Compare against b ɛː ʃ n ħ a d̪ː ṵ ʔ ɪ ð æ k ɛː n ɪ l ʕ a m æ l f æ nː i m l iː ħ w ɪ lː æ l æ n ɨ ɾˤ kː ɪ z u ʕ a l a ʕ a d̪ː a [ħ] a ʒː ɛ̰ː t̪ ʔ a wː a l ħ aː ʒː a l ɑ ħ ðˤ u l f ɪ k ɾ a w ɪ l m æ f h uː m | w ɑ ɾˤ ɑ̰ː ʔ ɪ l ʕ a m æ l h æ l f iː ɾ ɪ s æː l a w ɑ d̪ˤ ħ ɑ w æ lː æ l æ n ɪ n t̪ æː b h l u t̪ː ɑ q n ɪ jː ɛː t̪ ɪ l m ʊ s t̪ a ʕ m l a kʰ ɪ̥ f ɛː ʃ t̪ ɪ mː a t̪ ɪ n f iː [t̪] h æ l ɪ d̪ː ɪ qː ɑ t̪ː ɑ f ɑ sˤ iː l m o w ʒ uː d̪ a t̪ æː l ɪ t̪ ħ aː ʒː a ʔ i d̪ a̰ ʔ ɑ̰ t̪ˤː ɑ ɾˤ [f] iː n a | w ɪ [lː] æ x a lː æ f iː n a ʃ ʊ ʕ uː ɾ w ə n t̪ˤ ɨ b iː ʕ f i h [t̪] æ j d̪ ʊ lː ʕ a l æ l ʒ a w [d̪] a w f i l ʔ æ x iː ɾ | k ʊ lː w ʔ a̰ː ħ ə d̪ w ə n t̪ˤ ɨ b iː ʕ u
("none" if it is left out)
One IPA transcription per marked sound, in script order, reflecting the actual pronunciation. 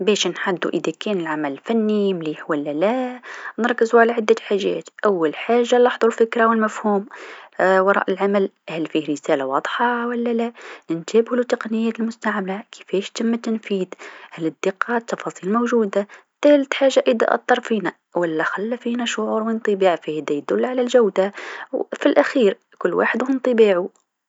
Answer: ħ, d̪, f, lː, d̪, d̪

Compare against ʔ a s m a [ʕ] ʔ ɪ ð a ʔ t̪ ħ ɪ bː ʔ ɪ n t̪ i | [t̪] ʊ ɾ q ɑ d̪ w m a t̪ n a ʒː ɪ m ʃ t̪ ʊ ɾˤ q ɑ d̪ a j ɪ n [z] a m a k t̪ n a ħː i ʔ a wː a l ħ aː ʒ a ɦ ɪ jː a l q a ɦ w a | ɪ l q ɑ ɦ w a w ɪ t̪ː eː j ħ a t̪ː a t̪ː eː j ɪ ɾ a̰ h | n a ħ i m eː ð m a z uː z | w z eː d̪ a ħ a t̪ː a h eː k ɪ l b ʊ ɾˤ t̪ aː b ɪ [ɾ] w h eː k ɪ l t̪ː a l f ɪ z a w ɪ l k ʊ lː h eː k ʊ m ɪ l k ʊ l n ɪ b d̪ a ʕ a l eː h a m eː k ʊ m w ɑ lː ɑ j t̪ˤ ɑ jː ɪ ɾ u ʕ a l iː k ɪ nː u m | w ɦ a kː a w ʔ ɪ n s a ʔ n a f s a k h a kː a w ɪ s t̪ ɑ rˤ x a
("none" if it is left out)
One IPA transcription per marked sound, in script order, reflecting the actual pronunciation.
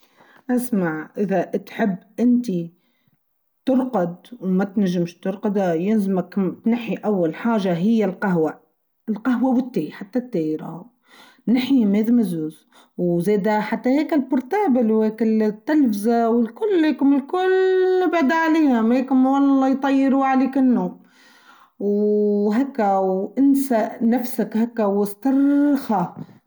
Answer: ʕ, t̪, z, l

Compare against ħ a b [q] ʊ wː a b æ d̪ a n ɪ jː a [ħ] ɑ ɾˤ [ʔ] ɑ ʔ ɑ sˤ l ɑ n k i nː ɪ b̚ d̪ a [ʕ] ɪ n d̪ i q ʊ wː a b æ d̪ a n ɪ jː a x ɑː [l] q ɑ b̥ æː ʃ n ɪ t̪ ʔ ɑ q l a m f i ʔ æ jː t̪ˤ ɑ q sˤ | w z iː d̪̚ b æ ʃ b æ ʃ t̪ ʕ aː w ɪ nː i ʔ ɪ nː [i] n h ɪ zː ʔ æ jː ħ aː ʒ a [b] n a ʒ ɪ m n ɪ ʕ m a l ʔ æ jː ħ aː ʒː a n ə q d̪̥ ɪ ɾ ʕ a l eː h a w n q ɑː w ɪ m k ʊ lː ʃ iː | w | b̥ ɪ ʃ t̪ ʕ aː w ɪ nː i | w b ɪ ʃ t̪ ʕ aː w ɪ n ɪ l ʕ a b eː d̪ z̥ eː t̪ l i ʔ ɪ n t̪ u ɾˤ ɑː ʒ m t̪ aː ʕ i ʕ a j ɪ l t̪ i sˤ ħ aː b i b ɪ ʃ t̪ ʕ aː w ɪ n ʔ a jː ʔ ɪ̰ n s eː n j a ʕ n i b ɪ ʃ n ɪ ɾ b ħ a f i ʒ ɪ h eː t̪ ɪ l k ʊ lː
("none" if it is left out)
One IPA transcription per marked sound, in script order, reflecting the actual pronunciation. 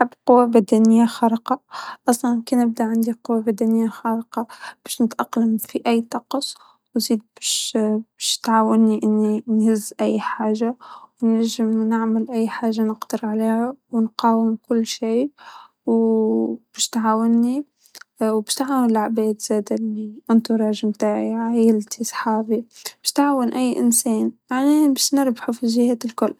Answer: q, x, q, ʕ, ɾ, i, w

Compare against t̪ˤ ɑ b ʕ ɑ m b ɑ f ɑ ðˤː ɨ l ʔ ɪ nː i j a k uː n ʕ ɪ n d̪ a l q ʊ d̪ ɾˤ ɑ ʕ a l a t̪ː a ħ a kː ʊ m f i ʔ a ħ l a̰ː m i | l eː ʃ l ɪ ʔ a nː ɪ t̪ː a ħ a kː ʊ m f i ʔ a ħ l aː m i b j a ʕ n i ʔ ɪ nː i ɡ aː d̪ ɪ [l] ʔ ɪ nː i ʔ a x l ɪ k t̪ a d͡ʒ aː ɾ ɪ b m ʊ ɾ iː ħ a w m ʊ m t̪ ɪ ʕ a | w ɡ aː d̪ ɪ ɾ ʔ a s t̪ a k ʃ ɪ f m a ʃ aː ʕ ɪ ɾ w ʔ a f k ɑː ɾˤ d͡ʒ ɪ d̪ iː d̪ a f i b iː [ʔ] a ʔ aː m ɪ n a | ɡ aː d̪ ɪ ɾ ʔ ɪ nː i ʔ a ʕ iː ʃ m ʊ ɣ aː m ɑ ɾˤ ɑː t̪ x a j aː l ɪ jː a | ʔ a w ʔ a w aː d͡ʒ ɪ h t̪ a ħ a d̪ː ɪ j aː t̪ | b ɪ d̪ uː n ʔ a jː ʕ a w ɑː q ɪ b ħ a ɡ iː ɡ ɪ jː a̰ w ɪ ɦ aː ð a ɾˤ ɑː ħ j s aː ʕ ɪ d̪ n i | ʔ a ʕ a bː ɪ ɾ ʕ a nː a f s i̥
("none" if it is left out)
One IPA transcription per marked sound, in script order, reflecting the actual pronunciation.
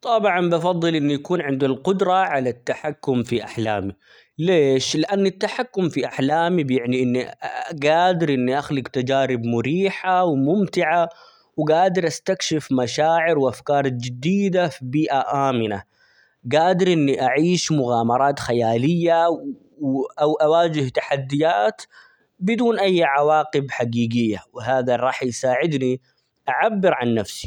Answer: ɾ, ʔ

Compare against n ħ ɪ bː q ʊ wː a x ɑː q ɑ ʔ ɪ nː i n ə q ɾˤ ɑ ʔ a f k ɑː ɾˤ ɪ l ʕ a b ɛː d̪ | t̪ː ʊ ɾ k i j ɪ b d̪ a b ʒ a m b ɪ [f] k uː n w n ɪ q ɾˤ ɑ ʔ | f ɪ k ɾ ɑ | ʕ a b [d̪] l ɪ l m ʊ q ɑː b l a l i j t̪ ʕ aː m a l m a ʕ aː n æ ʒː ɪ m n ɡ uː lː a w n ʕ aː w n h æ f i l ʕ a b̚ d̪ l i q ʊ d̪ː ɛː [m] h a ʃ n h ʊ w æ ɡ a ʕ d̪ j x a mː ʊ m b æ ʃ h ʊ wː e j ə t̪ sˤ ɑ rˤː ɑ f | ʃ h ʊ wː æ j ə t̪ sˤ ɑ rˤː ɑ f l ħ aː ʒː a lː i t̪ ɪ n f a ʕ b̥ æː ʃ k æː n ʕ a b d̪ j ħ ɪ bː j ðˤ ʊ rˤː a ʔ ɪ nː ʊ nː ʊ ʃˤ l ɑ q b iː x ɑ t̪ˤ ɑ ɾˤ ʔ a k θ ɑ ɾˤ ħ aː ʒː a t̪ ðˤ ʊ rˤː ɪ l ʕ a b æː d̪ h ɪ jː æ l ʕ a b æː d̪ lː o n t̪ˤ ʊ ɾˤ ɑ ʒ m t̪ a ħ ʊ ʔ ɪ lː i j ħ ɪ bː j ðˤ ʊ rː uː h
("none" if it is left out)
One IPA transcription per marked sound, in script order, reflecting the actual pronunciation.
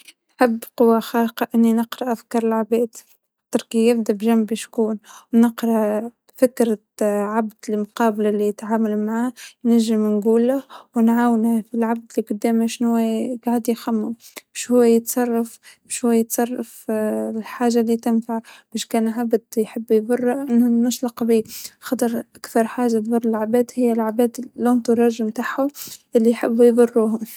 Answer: ʃ, d̪, m

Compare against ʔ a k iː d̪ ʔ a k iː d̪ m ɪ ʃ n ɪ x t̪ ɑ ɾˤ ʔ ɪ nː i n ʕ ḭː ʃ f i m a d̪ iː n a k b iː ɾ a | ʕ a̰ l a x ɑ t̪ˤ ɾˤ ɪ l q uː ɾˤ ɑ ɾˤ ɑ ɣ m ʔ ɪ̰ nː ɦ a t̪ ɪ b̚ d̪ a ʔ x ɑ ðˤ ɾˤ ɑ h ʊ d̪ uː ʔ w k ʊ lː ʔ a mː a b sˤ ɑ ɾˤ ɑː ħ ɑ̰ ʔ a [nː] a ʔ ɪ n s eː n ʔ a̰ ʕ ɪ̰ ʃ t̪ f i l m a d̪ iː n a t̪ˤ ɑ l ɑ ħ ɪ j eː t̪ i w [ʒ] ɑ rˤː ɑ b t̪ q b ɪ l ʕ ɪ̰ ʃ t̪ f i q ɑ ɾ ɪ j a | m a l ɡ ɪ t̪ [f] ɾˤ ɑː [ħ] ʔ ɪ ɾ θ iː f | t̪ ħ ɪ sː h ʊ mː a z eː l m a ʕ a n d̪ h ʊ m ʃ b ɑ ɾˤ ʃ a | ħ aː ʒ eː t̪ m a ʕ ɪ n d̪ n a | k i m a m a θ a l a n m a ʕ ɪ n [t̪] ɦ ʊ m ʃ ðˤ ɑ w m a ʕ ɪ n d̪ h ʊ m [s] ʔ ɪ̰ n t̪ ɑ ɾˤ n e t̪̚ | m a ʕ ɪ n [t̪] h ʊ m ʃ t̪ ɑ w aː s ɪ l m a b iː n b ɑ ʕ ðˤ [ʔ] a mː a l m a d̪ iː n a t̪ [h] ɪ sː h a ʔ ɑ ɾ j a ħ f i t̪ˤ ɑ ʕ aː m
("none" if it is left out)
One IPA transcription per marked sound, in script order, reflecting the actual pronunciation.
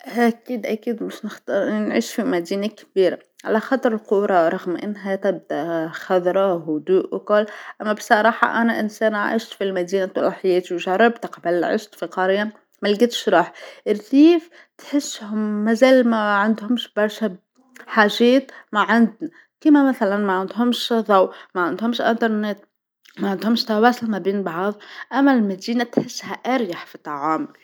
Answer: n, ʒ, ʃ, ħ, d̪, ʃ, d̪, ʔ, ħ

